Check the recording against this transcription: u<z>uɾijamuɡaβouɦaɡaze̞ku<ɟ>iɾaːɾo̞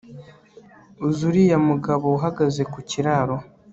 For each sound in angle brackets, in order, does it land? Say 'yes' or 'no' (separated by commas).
yes, no